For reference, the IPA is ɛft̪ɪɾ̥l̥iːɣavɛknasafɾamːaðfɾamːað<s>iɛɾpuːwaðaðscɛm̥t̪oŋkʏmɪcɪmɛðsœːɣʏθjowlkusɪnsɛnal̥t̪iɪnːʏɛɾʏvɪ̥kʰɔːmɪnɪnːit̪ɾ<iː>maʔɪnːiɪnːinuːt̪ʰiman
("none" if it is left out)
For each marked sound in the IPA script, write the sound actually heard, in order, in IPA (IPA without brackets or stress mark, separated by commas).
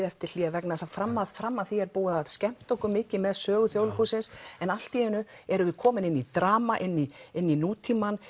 θ, aː